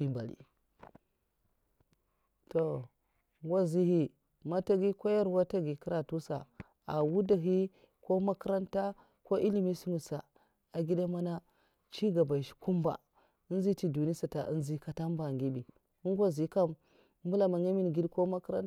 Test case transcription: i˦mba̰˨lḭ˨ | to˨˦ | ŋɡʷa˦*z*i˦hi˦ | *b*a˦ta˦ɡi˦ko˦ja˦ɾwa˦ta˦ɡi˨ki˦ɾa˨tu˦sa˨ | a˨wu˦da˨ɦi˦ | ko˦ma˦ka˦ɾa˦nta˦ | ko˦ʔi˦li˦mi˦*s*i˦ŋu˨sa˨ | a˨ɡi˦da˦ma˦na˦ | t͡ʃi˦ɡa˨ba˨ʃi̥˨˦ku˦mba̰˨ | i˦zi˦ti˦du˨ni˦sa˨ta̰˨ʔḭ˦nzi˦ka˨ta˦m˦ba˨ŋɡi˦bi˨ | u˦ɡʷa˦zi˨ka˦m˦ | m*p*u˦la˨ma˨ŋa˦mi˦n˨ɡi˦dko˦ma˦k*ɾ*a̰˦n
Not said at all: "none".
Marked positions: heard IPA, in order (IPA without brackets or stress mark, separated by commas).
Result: z, m, s, b, ɾ